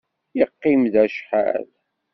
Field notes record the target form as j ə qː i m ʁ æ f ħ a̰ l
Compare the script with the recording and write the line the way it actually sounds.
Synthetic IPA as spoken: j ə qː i m ð æ ʃ ħ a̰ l

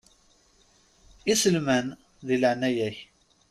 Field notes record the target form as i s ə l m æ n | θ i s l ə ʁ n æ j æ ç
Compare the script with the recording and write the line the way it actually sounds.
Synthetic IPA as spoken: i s ə l m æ n | ð i l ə ʕ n æ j æ ç

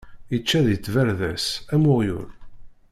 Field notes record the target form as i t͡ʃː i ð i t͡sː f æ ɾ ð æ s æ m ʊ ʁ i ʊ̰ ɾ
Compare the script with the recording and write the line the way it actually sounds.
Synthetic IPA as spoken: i t͡ʃː æ ð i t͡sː v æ ɾ ð æ s æ m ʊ ʁ j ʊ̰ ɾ

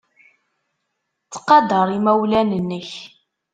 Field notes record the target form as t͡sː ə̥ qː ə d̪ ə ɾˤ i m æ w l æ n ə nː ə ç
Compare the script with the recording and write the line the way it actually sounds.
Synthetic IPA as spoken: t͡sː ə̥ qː ɑ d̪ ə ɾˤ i m æ w l æ n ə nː ə ç

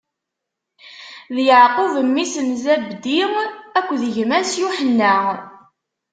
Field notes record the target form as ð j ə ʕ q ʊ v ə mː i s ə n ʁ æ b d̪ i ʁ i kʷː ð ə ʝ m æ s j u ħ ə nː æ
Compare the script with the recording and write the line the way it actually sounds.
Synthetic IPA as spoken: ð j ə ʕ q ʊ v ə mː i s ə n z æ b d̪ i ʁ æ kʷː ð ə ʝ m æ s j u ħ ə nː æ

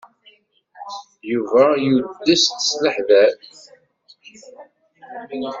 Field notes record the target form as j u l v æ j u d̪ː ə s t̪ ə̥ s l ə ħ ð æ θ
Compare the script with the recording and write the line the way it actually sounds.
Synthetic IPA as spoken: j u v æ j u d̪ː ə s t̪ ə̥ s l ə ħ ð æ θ

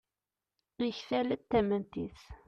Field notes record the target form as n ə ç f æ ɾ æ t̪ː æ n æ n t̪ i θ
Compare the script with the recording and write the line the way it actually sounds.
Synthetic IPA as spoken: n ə ç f æ l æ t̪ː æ m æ n t̪ i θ

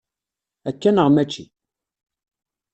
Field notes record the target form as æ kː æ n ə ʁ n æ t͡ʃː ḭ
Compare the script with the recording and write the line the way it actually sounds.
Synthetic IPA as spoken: æ kː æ n ə ʁ m æ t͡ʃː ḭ

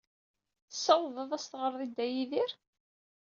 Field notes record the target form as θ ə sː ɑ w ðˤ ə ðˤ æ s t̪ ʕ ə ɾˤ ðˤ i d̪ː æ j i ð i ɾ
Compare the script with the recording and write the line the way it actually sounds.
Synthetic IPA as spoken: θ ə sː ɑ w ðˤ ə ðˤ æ s t̪ ʁ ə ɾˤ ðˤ i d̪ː æ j i ð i ɾ

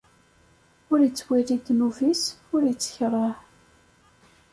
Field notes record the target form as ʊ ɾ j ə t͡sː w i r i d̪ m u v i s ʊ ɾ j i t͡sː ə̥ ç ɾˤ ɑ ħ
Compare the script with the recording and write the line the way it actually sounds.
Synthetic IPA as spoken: ʊ ɾ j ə t͡sː w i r i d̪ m u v i s ʊ ɾ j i t͡sː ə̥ ç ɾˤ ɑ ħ

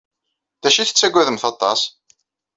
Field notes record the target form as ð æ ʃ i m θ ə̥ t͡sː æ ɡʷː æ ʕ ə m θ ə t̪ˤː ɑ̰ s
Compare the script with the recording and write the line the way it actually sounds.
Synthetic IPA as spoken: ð æ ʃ i θ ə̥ t͡sː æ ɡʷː æ ð ə m θ ɑ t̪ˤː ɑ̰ s

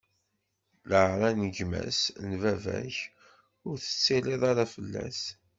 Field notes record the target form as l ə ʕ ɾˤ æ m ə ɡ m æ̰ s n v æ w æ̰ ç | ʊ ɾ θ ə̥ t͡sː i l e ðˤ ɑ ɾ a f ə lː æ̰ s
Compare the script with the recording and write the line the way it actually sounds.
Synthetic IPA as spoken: l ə ʕ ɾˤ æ n ə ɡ m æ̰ s n v æ v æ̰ ç | ʊ ɾ θ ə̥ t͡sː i l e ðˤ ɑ ɾ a f ə lː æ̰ s

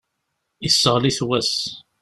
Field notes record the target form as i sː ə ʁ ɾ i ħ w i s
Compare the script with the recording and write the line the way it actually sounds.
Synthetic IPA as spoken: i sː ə ʁ l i θ w æ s

